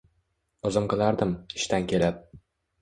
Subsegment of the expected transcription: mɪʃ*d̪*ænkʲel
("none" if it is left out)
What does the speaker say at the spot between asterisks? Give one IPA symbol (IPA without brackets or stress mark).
t̪